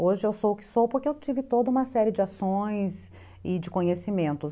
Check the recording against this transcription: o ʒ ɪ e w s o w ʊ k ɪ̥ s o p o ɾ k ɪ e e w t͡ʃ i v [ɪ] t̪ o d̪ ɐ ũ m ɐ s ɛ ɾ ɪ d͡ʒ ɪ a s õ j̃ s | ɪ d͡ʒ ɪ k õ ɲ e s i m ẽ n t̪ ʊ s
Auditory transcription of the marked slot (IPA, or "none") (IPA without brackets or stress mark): ɪ